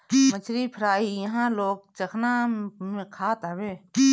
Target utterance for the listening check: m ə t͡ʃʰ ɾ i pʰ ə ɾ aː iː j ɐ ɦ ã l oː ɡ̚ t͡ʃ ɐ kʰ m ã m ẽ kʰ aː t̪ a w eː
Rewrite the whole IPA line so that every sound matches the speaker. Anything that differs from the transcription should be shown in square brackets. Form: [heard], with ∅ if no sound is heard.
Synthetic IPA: m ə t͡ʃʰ ɾ i pʰ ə ɾ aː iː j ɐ ɦ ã l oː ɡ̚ t͡ʃ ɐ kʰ [n] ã m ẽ kʰ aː t̪ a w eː